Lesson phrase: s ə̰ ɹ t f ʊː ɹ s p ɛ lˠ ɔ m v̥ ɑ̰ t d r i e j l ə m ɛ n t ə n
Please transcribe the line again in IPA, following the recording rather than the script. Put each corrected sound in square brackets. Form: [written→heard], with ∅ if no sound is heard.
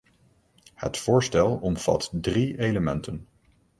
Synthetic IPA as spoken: [s→h] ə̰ [ɹ→∅] t f ʊː ɹ s [p→t] ɛ lˠ ɔ m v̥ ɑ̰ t d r i e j l ə m ɛ n t ə n